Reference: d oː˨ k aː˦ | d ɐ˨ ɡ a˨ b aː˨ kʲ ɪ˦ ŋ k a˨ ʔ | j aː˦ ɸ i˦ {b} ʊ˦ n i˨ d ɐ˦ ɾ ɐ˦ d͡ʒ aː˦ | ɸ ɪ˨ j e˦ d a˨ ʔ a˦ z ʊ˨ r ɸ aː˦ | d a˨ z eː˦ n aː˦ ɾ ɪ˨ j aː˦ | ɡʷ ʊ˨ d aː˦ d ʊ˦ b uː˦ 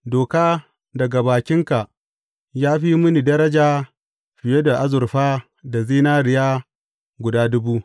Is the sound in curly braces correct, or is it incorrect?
incorrect